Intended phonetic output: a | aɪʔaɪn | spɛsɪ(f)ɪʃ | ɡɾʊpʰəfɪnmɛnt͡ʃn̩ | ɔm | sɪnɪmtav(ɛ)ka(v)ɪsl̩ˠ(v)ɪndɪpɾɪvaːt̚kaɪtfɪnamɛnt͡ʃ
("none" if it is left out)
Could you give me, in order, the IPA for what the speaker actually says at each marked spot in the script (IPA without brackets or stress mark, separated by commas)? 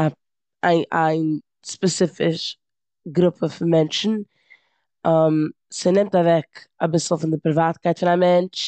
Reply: f, ɛ, b, f